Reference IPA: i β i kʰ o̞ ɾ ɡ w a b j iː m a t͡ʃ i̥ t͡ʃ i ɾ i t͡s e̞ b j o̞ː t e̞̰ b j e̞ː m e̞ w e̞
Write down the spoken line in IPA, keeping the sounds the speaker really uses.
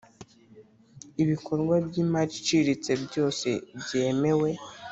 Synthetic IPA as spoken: i β i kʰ o̞ ɾ ɡ w a b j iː m a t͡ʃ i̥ t͡ʃ i ɾ i t͡s e̞ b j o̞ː s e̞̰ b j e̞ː m e̞ w e̞